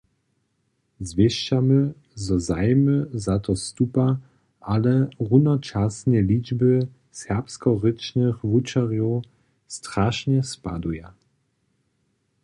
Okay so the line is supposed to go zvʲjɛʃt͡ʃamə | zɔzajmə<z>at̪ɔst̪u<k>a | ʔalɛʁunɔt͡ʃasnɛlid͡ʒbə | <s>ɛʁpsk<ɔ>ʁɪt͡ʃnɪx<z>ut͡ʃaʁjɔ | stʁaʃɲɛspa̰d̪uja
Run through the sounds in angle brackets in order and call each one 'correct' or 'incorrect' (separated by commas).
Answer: correct, incorrect, correct, correct, incorrect